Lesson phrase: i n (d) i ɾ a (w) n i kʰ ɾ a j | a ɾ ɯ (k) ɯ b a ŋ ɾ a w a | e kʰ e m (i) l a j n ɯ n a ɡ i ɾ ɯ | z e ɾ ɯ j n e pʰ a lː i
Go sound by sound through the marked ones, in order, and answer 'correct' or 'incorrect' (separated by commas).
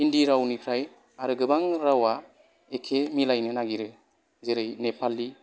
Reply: correct, correct, incorrect, correct